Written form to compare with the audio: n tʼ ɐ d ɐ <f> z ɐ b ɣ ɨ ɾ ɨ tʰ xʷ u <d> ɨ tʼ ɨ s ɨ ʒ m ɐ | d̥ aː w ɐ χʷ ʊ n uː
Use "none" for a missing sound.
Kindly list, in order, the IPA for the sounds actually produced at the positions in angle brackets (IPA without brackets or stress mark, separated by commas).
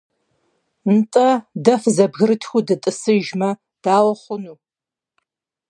f, d